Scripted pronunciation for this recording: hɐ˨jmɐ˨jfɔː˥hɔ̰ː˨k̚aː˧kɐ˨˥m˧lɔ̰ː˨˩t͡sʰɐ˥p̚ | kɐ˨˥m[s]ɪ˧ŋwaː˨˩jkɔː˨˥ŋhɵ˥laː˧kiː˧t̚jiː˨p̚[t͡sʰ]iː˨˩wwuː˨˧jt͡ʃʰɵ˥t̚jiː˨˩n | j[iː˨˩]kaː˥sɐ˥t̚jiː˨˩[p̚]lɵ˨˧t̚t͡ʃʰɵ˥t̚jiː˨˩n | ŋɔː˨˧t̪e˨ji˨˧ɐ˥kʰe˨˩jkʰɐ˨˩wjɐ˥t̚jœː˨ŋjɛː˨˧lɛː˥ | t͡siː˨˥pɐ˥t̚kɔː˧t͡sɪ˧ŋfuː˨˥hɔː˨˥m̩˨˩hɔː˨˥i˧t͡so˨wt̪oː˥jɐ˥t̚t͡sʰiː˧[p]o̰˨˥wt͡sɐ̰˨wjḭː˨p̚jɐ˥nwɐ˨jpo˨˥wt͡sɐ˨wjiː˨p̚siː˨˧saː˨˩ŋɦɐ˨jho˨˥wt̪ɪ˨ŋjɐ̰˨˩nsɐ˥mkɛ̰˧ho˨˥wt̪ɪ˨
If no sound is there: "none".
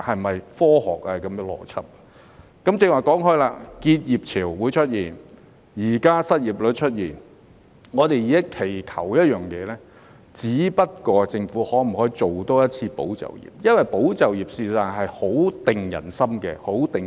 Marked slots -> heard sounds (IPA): t͡s, t͡sʰ, iː˨˩, p̚, p

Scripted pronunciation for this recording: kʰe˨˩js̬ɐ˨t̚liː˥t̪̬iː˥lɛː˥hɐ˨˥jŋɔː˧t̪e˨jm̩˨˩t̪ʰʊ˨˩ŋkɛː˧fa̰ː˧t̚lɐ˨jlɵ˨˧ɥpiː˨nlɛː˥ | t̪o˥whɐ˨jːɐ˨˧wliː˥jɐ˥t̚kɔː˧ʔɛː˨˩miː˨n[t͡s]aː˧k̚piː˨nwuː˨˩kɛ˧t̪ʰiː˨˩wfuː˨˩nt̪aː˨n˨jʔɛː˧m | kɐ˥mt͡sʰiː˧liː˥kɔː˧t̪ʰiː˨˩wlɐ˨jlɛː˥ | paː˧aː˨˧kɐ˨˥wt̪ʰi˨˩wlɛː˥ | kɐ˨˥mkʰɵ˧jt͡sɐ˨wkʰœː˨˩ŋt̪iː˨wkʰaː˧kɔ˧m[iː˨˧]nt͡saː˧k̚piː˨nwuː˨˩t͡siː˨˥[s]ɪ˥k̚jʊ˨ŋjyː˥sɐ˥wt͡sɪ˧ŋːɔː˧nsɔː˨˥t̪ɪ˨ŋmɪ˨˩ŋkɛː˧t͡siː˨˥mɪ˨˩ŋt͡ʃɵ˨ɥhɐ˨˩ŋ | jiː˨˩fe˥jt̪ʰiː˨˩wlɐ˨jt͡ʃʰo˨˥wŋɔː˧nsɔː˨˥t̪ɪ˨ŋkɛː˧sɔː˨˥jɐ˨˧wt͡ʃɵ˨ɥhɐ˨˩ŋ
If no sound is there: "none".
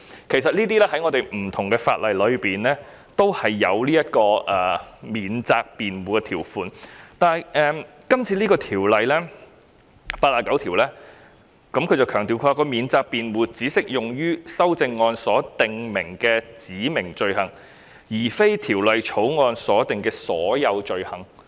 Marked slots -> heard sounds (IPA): t͡s, iː˨˧, s

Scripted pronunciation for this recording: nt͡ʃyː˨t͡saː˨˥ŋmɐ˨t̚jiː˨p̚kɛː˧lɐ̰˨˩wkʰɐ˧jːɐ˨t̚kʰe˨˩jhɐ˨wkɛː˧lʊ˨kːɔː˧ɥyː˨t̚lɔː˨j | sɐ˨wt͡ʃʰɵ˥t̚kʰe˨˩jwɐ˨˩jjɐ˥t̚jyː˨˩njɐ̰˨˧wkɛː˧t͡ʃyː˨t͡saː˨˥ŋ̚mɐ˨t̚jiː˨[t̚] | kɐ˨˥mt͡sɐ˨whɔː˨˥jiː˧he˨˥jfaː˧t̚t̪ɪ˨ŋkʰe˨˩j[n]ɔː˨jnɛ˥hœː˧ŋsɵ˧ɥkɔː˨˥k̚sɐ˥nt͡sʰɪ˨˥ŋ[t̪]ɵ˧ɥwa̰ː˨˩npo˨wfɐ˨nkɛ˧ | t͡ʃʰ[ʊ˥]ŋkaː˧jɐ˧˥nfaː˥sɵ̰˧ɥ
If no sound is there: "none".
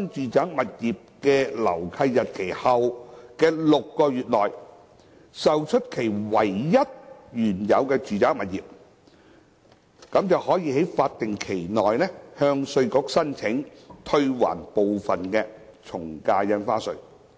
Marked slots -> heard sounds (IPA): p̚, n, t̪ʰ, ʊ˨˩

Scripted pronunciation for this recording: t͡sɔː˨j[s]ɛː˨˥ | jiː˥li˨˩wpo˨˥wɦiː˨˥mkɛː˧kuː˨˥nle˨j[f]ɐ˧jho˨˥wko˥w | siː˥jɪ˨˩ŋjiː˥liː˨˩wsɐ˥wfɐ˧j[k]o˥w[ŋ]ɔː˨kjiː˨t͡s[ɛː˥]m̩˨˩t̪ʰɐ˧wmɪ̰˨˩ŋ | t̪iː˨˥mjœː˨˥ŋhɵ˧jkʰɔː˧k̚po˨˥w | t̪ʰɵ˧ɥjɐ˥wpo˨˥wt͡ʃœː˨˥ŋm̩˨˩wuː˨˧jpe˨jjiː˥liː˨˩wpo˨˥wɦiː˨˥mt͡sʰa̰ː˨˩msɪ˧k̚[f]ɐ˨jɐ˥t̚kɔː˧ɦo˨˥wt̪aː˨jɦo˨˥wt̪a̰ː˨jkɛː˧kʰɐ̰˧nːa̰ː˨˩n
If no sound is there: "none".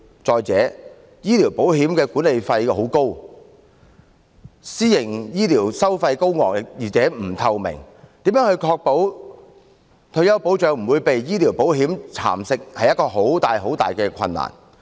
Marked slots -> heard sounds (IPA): t͡s, f, k, ŋ, ɛː˨˥, h

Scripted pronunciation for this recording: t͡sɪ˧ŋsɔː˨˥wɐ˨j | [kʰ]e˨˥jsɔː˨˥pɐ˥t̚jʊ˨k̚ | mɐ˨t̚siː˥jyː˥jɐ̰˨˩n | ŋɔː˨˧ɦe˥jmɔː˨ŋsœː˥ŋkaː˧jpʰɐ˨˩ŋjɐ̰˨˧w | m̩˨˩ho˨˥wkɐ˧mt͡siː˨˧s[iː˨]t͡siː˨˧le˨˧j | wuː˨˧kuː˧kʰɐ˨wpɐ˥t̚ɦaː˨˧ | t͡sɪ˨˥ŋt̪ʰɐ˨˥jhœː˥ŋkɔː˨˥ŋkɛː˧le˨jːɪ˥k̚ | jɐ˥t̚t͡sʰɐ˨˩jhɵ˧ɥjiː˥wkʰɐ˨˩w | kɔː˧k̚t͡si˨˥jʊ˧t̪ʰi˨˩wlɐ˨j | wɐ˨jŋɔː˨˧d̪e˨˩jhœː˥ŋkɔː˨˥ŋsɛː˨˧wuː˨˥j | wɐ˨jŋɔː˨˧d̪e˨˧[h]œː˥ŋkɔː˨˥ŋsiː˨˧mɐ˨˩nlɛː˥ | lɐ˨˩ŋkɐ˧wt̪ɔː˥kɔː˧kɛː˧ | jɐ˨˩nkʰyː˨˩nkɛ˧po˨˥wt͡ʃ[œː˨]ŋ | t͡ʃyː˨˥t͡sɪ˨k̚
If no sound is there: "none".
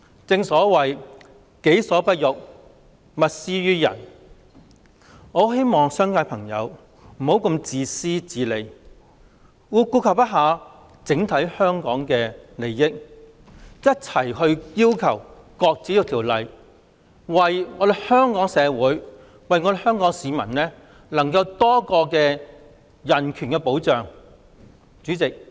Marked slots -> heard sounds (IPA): k, iː˥, h, œː˨

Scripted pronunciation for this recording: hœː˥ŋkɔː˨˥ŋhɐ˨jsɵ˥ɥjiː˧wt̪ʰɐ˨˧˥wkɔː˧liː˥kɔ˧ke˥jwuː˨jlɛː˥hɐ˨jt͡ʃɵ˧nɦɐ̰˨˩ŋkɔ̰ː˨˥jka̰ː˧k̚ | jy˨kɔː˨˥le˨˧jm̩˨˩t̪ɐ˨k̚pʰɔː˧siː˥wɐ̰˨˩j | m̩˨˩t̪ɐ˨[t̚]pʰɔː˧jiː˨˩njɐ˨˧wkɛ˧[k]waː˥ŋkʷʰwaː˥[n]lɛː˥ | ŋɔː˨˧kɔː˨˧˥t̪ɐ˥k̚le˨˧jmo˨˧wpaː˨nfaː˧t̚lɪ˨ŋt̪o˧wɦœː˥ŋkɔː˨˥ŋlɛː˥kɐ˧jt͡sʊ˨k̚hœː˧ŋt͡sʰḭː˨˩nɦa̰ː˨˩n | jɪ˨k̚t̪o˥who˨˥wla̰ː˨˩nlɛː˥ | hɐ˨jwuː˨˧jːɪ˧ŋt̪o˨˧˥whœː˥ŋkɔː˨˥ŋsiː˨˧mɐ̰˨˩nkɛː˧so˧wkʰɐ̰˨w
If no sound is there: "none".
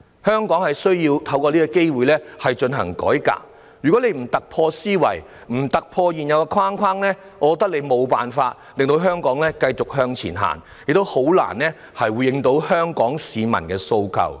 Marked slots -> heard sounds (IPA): k̚, kʰ, ŋ

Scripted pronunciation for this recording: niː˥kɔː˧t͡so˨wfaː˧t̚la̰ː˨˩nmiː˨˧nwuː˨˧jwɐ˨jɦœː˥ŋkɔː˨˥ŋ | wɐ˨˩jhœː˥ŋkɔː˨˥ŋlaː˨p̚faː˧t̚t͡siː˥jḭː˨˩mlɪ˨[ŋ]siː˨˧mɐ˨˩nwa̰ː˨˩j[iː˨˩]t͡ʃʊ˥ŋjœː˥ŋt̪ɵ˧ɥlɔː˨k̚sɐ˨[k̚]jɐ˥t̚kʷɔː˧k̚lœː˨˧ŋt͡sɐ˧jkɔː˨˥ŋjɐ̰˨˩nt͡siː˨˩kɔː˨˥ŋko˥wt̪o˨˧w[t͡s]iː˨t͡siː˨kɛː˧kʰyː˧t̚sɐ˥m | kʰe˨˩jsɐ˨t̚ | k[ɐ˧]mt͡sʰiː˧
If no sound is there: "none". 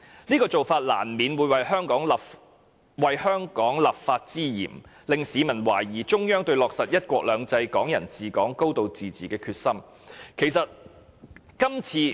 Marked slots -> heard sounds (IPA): ŋ, iː˨˩, t̚, t͡s, ɐ˥

